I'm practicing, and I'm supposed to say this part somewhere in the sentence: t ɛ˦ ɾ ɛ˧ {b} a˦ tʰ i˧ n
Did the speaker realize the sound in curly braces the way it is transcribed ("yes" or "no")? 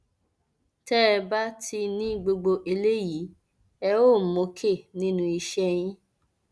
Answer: yes